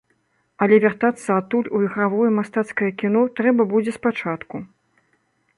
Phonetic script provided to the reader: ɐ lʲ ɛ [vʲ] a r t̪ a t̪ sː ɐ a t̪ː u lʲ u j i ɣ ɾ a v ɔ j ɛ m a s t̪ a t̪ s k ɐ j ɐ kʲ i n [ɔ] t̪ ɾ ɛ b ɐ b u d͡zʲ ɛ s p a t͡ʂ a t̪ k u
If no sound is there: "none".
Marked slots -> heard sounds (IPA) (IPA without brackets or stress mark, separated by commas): vʲ, ɔ